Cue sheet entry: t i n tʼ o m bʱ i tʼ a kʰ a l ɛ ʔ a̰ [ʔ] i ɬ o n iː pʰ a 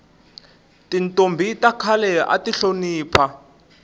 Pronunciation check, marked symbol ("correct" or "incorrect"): incorrect